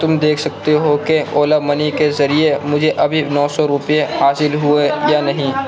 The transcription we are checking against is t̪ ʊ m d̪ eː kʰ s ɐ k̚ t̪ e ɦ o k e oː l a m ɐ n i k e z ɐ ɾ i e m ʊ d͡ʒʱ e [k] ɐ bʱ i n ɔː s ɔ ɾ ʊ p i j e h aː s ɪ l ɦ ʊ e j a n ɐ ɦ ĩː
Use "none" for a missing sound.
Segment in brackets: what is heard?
ʔ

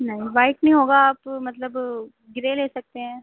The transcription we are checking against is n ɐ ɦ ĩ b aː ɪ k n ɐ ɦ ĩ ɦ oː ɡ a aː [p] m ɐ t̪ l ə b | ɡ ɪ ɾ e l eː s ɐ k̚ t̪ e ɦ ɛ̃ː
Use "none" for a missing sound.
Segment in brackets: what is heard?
p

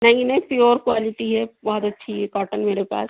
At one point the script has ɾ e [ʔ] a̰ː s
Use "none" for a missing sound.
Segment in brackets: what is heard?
p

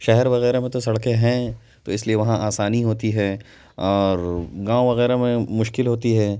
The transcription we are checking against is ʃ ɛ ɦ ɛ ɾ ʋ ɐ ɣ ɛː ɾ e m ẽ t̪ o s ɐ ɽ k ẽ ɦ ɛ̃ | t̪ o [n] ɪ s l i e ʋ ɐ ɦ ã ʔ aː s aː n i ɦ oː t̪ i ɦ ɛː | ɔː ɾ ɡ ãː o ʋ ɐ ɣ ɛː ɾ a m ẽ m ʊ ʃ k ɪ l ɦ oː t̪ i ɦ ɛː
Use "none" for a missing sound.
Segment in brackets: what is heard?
none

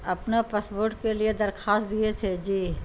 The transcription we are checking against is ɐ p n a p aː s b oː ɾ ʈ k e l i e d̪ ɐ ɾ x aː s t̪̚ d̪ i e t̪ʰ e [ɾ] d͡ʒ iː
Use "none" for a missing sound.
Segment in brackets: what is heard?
none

